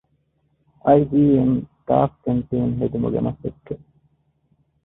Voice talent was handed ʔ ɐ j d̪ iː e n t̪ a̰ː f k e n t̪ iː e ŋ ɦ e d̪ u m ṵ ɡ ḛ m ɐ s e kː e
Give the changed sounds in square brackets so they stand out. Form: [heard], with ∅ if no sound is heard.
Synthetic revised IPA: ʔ ɐ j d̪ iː e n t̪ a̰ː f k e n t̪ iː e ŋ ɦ e d̪ u m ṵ ɡ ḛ m ɐ s e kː e